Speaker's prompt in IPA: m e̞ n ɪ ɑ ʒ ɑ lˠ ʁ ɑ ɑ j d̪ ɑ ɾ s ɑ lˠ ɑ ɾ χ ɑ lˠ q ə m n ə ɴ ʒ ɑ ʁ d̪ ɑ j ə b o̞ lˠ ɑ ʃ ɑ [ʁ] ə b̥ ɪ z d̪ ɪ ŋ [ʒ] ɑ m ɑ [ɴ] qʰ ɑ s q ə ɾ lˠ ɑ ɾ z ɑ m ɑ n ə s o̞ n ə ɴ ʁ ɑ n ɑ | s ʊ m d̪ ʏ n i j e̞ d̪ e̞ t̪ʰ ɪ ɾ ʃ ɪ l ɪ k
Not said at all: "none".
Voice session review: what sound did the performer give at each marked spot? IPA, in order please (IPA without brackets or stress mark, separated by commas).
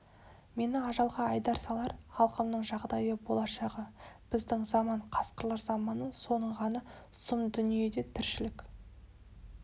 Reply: ʁ, z, ɴ